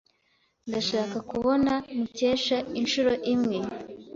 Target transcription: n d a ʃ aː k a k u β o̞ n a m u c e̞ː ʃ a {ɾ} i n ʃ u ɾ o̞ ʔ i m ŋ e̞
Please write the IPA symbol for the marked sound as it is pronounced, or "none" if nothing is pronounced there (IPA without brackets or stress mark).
none